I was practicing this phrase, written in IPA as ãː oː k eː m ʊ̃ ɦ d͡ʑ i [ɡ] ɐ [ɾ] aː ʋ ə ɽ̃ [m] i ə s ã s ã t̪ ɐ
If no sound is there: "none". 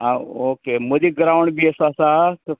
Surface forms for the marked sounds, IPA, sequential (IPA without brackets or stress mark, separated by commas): ɡ, ɾ, b